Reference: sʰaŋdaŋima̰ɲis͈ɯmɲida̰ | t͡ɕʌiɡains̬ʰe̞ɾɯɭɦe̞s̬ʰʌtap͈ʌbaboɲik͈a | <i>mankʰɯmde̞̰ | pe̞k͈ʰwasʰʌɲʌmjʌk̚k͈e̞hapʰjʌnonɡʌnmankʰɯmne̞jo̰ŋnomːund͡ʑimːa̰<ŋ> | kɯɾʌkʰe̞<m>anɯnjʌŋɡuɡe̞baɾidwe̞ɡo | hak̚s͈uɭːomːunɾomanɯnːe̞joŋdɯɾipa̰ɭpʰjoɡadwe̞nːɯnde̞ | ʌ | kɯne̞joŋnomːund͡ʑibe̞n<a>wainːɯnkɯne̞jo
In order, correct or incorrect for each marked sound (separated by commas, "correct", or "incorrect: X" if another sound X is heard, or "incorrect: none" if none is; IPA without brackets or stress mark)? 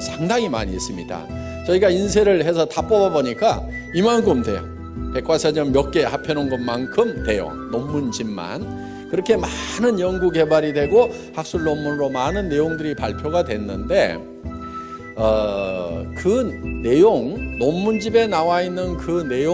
correct, incorrect: n, correct, correct